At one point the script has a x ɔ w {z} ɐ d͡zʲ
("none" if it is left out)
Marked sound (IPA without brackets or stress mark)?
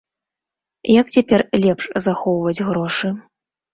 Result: v